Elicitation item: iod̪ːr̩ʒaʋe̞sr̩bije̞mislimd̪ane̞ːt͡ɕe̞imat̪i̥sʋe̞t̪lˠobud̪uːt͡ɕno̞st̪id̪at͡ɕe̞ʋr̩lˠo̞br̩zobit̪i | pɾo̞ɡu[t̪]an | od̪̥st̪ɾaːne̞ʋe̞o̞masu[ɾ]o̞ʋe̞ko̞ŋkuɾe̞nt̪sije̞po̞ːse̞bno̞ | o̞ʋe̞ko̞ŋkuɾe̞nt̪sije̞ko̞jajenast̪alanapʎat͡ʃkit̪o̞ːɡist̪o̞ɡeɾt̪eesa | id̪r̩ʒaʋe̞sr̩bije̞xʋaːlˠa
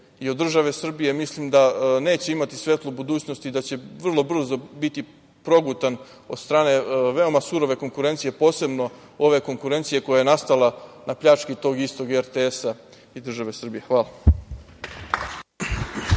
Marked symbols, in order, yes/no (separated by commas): yes, yes